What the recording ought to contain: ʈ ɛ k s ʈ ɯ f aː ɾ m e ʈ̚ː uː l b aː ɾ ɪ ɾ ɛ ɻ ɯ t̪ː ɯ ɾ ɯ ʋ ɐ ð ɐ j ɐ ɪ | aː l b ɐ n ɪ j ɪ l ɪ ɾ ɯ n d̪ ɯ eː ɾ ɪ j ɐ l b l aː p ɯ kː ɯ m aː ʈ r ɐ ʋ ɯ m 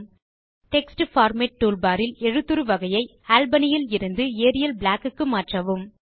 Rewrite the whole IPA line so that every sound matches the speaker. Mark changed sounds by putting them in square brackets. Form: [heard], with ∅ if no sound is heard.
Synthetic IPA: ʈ ɛ k s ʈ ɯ f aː ɾ m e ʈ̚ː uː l b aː ɾ ɪ [l] ɛ ɻ ɯ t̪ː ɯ ɾ ɯ ʋ ɐ [ɣ] ɐ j ɐ ɪ | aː l b ɐ n ɪ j ɪ l ɪ ɾ ɯ n d̪ ɯ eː ɾ ɪ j ɐ l b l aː [k] ɯ kː ɯ m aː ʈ r ɐ ʋ ɯ m